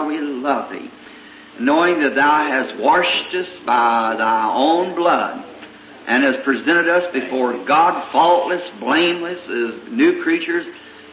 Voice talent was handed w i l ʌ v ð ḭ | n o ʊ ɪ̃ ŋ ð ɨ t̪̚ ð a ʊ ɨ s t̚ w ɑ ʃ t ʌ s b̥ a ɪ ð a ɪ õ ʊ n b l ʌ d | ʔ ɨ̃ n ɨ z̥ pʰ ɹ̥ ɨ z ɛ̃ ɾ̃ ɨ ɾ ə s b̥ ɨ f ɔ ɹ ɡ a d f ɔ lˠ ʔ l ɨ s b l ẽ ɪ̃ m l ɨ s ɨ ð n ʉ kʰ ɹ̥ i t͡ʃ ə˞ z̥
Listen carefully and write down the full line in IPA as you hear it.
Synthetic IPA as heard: w i l ʌ v ð ḭ | n o ʊ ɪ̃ ŋ ð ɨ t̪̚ ð a ʊ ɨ s t̚ w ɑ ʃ t ʌ s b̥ a ɪ ð a ɪ õ ʊ̃ n b l ʌ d | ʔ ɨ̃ n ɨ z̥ pʰ ɹ̥ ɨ z ɛ̃ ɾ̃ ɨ ɾ ʌ s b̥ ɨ f ɔ ɹ ɡ ɑ d f ɔ lˠ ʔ l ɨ s b l ẽ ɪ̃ m l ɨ s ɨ z n ʉ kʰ ɹ̥ i t͡ʃ ə˞ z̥